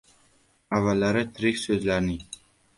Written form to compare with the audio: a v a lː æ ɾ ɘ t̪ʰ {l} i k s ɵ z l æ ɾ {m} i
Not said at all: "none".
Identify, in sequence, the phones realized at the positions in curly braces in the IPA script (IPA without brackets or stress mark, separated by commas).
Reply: ɾ, n